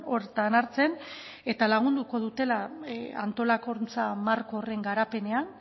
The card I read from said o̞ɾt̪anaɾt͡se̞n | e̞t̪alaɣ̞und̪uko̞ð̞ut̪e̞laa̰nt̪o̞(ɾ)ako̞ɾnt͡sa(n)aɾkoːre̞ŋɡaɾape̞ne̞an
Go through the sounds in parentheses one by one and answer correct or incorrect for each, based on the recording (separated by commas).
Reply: incorrect, incorrect